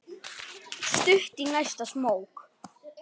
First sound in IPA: s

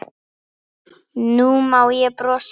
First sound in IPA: n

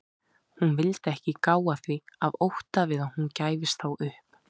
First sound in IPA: h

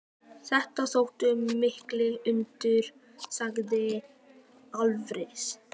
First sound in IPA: θ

